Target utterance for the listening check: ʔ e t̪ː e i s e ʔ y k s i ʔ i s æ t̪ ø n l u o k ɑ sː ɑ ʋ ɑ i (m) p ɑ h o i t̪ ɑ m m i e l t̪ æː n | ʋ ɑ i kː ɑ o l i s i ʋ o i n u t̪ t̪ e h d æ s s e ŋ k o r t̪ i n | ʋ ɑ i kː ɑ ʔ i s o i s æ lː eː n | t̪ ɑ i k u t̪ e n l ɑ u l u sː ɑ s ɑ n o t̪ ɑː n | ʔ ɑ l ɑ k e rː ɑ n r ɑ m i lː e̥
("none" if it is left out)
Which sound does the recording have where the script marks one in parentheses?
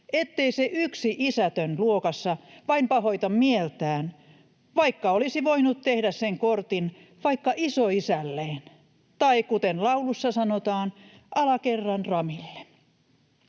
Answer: m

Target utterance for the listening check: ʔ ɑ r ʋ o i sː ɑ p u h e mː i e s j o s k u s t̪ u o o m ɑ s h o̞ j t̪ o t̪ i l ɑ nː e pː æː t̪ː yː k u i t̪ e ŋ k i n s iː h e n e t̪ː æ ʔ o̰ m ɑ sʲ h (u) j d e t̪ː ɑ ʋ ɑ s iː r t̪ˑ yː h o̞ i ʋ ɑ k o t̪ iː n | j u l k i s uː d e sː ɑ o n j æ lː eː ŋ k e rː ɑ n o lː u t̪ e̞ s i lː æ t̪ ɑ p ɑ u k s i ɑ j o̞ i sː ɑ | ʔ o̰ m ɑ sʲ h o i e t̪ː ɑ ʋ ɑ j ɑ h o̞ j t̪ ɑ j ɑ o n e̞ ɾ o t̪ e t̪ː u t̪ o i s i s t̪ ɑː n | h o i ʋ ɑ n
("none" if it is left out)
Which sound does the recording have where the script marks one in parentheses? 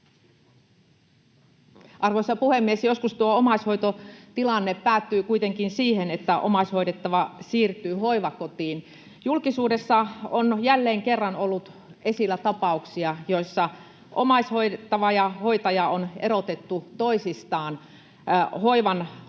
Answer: o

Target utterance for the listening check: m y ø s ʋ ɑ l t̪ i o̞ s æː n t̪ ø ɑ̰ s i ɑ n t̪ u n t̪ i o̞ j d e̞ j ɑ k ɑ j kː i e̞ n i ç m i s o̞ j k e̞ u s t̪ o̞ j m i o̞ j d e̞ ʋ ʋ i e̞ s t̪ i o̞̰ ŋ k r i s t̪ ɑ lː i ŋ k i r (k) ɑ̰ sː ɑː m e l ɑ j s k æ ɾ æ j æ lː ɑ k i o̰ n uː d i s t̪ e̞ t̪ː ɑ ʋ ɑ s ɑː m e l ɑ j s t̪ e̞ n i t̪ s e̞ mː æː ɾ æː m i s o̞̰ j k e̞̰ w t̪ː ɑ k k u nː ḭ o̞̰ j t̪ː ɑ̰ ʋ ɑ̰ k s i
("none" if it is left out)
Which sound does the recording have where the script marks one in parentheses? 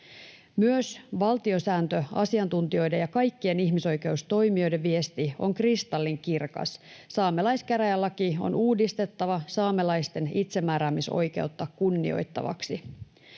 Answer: k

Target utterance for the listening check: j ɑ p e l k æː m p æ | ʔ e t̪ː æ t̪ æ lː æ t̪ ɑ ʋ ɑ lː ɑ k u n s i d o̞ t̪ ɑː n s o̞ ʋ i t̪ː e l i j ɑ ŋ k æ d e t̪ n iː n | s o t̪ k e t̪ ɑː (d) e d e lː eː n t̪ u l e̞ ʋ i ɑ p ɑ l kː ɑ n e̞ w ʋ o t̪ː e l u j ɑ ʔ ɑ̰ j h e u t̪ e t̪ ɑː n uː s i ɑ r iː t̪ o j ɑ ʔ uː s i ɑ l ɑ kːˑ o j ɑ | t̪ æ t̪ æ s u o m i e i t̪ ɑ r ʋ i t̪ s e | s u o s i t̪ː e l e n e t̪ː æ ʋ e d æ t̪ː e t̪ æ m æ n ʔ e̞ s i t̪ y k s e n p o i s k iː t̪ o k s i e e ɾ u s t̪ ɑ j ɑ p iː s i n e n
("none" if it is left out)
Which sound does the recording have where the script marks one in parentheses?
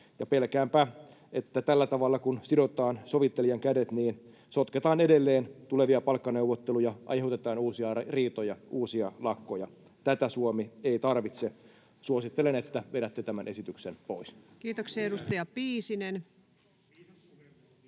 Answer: n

